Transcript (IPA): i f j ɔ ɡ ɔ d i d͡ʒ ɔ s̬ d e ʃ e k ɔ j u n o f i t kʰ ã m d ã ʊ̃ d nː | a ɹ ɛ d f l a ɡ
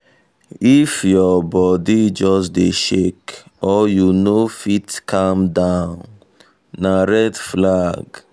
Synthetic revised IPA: i f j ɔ b ɔ d i d͡ʒ ɔ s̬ d e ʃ e k ɔ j u n o f i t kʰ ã m d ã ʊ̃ n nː | a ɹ ɛ d f l a ɡ

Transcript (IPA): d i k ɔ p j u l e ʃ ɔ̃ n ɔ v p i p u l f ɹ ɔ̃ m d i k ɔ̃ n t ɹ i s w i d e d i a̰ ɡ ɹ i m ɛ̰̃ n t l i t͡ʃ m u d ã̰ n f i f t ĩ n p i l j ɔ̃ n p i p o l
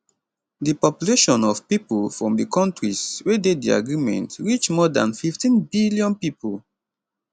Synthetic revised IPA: d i p ɔ p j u l e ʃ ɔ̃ n ɔ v p i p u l f ɹ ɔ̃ m d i k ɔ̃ n t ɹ i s w e d e d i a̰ ɡ ɹ i m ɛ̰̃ n t ɹ i t͡ʃ m ɔ d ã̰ n f i f t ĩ n b i l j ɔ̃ n p i p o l

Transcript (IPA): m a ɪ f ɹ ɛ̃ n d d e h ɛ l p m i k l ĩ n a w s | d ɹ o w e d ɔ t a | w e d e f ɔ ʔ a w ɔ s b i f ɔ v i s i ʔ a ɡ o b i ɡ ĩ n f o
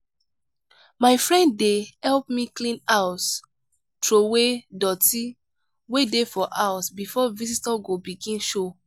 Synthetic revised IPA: m a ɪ f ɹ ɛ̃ n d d e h ɛ l p m i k l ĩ n a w s | t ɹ o w e d ɔ t i | w e d e f ɔ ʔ a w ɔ s b i f ɔ v i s i t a ɡ o b i ɡ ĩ n ʃ o

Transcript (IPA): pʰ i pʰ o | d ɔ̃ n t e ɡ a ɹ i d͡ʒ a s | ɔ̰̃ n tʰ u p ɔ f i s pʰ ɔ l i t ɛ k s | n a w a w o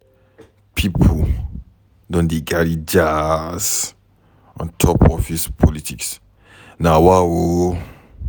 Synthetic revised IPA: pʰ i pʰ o | d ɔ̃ n d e ɡ a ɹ i d͡ʒ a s | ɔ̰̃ n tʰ ɔ p ɔ f i s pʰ ɔ l i t i k s | n a w a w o

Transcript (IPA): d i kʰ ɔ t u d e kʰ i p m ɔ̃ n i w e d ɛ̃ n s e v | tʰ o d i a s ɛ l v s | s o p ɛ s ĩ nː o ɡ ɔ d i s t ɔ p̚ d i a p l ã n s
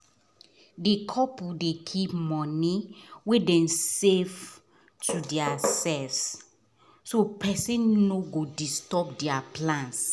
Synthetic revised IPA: d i kʰ ɔ p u d e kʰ i p m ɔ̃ n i w e d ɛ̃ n s e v | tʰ u d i a s ɛ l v s | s o p ɛ s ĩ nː o ɡ o d i s t ɔ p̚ d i a p l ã n s

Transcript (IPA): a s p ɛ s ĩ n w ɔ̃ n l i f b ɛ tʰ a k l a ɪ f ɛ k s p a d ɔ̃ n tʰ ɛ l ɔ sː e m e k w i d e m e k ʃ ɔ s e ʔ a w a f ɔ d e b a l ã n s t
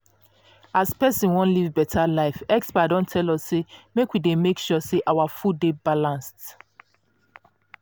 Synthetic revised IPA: a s p ɛ s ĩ n w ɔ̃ n l i v b ɛ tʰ a l a ɪ f ɛ k s p a d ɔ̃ n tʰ ɛ l ɔ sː e m e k w i d e m e k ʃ ɔ s e ʔ a w a f u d e b a l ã n s t

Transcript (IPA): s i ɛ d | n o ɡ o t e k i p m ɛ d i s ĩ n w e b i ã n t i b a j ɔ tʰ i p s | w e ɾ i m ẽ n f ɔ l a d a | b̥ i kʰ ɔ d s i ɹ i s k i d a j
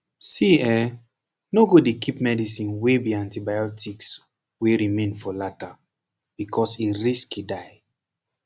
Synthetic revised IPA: s i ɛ | n o ɡ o d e k i p m ɛ d i s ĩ n w e b i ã n t i b a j ɔ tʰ i k s | w e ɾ i m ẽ n f ɔ l a t a | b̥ i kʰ ɔ s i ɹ i s k i d a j

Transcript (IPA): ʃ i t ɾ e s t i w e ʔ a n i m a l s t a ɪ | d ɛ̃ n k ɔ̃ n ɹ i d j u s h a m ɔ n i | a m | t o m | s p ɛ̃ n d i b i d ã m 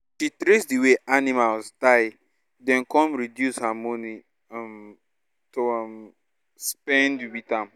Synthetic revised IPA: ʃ i t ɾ e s d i w e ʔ a n i m a l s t a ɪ | d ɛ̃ n k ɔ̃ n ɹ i d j u s h a m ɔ n i | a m | t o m | s p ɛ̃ n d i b i t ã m

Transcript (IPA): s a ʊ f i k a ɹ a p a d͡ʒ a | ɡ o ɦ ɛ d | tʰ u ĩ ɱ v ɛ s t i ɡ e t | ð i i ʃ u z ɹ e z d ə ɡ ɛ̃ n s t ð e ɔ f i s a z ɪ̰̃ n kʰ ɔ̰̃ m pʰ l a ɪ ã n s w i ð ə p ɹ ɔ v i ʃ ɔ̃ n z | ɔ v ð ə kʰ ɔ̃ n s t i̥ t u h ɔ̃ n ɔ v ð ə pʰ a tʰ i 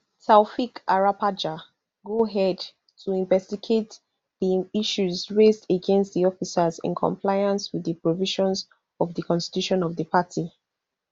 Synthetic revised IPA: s a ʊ f i k a ɹ a p a d͡ʒ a | ɡ o ɦ ɛ d | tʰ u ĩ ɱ v ɛ s t i ɡ e t | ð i i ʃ u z ɹ e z d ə ɡ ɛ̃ n s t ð i ɔ f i s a z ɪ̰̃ n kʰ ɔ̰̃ m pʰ l a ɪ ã n s w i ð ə p ɹ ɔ v i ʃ ɔ̃ n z | ɔ v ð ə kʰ ɔ̃ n s t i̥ t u ʃ ɔ̃ n ɔ v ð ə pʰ a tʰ i

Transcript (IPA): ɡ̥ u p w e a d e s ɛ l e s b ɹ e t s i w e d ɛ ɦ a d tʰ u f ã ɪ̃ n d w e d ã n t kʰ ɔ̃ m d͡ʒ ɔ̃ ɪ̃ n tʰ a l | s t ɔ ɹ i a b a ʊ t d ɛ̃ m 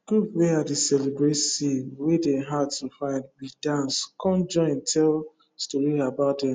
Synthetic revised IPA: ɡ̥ u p w e a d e s ɛ l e b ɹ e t s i w e d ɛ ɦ a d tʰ u f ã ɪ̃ n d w i d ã n s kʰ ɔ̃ n d͡ʒ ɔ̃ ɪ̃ n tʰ ɛ l | s t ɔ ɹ i a b a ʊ t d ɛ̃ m

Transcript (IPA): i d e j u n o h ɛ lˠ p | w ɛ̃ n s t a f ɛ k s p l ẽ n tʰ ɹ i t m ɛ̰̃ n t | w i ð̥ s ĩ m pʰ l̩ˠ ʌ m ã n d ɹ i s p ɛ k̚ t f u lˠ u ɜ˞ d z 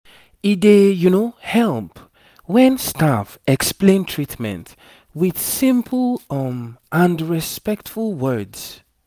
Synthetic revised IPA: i d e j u n o h ɛ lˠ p | w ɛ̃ n s t a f ɛ k s p l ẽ n tʰ ɹ i t m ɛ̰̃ n t | w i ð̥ s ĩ m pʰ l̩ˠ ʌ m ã n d ɹ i s p ɛ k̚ t f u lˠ w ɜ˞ d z

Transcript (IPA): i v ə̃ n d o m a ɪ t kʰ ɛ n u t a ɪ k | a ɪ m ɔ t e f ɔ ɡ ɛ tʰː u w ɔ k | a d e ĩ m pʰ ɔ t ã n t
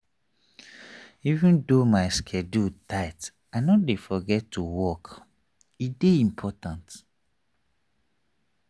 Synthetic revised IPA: i v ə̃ n d o m a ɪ s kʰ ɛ d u t a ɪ t | a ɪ n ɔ d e f ɔ ɡ ɛ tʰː u w ɔ k | i d e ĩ m pʰ ɔ t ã n t

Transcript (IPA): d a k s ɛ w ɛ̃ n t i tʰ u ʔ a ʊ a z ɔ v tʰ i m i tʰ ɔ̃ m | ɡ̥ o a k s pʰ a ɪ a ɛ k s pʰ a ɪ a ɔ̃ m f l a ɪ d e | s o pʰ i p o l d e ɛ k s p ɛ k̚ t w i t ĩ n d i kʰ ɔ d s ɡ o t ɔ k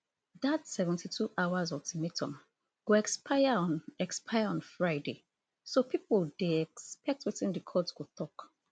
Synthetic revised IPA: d a t s ɛ v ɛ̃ n t i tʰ u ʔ a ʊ a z ɔ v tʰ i m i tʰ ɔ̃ m | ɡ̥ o ɛ k s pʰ a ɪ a ɛ k s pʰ a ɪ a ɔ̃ n f ɹ a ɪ d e | s o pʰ i p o l d e ɛ k s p ɛ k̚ t w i t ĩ n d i kʰ ɔ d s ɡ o t ɔ k

